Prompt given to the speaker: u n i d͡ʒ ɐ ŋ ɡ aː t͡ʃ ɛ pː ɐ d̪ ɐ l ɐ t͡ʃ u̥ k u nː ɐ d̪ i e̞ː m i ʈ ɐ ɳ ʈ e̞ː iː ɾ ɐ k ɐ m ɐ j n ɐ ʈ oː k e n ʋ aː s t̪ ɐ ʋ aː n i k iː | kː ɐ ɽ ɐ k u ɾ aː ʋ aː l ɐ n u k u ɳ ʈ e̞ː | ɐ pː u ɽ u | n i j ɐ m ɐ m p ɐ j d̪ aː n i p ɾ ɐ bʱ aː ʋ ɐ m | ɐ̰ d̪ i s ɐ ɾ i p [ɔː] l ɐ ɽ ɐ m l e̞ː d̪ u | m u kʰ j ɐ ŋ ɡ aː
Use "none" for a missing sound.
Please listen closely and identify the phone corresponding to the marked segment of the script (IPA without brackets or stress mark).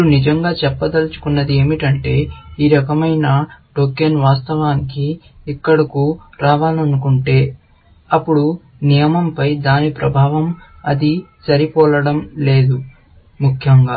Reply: ɔː